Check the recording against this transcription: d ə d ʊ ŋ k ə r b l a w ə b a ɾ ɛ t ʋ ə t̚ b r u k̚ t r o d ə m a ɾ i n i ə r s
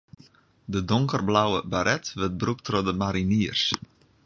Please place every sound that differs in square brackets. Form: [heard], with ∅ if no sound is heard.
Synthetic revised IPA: d ə d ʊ ŋ k ə r b l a w ə b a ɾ ɛ t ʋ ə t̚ b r u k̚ t r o d ə m a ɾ i n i ə r s